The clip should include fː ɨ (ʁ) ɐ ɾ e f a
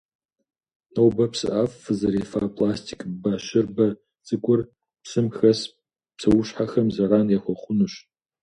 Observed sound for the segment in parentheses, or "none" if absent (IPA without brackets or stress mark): z